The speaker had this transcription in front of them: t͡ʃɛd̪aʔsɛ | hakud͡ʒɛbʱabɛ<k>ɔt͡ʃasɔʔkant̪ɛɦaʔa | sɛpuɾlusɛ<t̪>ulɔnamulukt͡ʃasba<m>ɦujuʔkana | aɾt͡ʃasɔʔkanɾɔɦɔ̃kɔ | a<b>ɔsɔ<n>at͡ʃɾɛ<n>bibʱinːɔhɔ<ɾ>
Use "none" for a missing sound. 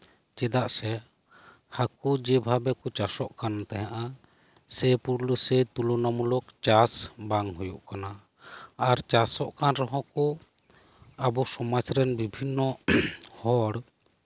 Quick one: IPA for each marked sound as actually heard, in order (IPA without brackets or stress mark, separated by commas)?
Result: k, t̪, ŋ, b, m, n, ɽ